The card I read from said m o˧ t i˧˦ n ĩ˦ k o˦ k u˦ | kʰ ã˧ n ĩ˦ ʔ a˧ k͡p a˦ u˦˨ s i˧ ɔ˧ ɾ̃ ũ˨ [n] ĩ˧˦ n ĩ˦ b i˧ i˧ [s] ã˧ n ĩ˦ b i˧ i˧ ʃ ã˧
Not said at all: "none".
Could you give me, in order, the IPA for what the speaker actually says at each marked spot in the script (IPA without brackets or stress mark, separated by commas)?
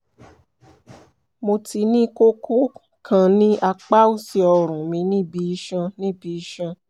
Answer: m, ʃ